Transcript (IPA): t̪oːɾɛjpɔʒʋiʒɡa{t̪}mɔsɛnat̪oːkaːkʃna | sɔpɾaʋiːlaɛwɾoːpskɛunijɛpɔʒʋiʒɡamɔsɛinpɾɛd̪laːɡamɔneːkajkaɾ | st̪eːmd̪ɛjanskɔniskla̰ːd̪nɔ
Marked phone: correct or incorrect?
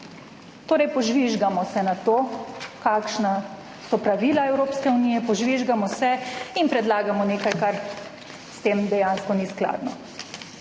incorrect